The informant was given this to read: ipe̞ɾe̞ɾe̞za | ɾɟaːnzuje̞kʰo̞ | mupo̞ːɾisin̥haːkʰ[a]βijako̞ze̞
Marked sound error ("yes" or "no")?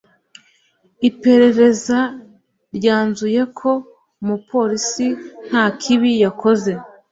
yes